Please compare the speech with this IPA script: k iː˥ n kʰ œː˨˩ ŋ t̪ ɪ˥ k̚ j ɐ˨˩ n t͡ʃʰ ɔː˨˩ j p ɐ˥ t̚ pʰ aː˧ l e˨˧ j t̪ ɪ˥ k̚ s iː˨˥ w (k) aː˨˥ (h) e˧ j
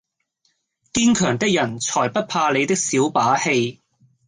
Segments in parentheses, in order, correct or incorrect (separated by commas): incorrect, correct